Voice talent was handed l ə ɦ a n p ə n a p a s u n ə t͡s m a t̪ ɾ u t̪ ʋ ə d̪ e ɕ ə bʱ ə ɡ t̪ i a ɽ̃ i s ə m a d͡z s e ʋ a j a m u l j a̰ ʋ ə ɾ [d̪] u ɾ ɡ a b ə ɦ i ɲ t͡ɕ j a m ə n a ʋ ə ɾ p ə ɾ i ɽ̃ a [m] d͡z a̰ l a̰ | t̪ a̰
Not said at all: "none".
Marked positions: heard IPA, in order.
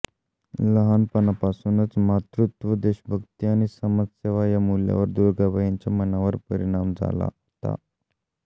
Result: d̪, m

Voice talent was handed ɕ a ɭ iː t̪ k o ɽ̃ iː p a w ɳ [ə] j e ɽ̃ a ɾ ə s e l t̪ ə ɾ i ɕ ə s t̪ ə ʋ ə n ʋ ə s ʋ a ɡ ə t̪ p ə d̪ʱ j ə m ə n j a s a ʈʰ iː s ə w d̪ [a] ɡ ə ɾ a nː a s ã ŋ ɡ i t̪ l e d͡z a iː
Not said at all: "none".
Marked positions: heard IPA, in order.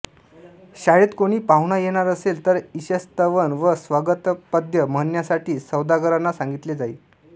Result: a, a

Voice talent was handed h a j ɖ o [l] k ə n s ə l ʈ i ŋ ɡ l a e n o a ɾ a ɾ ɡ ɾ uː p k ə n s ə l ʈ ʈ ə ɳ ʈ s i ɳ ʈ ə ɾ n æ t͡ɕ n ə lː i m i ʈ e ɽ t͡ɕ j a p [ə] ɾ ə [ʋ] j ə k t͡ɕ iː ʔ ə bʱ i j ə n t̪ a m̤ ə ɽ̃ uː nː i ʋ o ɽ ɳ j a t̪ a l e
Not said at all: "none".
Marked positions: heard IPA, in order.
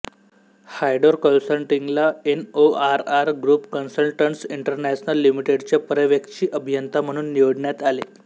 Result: ɾ, ə, ʋ

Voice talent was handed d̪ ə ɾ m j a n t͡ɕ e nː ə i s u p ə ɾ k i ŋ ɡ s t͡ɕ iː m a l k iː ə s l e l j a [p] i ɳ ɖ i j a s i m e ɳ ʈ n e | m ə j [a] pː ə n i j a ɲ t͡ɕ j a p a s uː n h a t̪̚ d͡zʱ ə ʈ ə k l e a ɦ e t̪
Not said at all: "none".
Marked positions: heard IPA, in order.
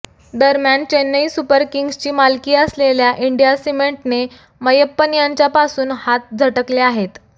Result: ʔ, ə

